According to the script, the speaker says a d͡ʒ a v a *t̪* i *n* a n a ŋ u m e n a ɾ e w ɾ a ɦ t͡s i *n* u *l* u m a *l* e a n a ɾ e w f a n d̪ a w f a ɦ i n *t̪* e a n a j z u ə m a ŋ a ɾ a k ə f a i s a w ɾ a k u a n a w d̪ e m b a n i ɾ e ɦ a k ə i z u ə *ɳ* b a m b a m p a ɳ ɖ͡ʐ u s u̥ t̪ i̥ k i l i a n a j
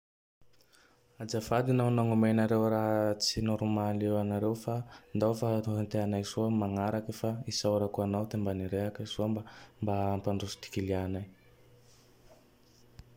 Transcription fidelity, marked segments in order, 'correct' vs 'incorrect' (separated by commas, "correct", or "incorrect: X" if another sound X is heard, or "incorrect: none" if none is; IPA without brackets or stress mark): incorrect: d̪, correct, correct, incorrect: ɾ, correct, correct, incorrect: m